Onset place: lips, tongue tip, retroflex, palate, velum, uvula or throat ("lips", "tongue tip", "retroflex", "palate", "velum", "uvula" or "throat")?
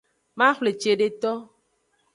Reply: lips